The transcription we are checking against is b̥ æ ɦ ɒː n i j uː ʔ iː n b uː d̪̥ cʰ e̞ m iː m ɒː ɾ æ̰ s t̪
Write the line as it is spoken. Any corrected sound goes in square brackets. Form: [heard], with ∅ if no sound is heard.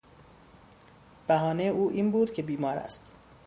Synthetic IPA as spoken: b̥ æ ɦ ɒː n [e] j uː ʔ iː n b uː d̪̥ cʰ e̞ [b] iː m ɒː ɾ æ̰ s t̪